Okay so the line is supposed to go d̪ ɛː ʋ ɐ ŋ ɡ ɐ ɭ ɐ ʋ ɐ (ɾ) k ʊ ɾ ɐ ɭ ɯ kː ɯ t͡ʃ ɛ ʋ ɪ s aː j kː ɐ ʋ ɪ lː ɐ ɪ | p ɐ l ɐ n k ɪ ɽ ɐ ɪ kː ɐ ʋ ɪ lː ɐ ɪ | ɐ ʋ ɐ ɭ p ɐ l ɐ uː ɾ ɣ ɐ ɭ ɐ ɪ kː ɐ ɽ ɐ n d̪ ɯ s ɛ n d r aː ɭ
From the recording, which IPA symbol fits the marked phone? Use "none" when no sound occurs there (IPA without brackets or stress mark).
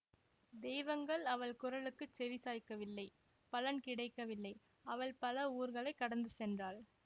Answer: ɭ